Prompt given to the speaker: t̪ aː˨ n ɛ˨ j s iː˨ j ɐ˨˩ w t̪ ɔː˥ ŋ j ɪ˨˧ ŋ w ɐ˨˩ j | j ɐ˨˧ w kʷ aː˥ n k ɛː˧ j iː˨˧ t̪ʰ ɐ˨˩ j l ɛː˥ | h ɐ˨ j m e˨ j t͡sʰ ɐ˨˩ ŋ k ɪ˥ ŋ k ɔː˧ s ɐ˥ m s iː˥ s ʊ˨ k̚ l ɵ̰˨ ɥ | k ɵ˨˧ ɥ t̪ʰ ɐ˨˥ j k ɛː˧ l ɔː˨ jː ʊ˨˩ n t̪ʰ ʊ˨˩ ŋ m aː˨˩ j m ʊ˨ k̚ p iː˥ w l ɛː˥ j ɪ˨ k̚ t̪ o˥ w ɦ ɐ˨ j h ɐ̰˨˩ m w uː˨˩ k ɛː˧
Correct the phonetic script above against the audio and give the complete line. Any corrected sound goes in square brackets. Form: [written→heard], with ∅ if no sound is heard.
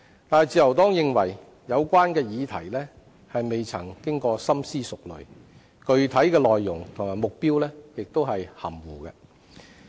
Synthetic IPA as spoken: t̪ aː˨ n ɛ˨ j [s→t͡s] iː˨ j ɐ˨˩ w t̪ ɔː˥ ŋ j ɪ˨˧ ŋ w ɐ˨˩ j | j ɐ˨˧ w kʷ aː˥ n k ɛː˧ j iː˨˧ t̪ʰ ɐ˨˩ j l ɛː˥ | h ɐ˨ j m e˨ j t͡sʰ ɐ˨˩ ŋ k ɪ˥ ŋ k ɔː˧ s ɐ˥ m s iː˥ s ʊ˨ k̚ l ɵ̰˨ ɥ | k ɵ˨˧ ɥ t̪ʰ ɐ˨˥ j k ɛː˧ l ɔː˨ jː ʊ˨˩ [n→ŋ] t̪ʰ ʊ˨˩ ŋ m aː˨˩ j m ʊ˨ k̚ p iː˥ w l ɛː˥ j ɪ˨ k̚ t̪ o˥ w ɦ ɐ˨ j h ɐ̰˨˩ m w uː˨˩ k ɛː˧